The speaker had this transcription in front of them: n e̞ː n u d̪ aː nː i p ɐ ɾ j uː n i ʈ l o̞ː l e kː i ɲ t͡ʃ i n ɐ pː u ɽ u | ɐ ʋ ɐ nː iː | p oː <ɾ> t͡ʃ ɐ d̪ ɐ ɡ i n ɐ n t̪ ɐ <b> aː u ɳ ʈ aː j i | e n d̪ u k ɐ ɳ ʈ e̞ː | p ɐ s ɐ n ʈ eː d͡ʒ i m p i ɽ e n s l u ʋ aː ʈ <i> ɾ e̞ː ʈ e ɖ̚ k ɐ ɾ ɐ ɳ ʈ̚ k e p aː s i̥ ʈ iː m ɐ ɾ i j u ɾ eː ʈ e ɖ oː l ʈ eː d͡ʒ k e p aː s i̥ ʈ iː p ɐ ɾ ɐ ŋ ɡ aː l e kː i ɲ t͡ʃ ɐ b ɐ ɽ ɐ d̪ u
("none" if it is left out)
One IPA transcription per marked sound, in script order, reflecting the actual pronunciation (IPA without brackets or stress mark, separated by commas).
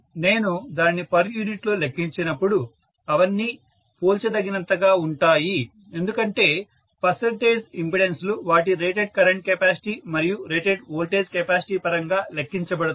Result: l, ɡ, i